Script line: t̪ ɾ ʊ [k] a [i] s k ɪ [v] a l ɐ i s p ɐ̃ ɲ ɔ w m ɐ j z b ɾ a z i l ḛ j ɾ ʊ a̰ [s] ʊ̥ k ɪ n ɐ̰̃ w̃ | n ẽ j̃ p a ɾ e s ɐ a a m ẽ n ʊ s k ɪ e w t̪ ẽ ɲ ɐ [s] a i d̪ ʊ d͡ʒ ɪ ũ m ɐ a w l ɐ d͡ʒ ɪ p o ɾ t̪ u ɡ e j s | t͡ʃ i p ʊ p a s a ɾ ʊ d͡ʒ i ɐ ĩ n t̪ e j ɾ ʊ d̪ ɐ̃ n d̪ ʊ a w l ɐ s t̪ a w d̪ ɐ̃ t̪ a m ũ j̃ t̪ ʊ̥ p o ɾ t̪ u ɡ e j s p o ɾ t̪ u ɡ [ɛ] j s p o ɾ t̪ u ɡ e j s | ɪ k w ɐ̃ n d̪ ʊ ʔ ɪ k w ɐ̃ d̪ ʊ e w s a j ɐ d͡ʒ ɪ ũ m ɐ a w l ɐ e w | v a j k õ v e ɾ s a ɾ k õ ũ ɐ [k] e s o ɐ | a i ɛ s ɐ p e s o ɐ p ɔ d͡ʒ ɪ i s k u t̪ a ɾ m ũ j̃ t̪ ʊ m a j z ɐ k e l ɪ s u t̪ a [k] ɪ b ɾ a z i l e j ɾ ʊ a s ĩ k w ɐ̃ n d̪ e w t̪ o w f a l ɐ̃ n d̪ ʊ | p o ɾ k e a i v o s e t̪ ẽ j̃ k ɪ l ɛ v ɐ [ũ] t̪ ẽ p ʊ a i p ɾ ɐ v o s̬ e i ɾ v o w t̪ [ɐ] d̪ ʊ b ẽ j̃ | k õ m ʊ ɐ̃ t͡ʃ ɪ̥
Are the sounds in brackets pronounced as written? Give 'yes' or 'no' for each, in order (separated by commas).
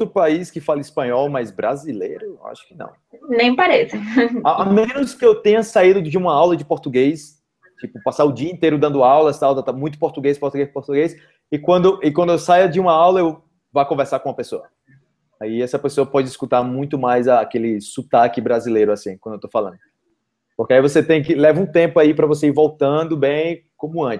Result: no, yes, no, no, yes, no, no, yes, yes, no